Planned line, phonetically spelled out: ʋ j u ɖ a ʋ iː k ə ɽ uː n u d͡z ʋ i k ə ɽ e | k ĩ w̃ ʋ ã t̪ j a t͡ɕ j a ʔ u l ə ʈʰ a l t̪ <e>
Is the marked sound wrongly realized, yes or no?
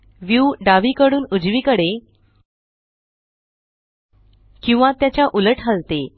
no